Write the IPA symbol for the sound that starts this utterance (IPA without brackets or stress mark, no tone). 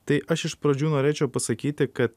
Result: t̪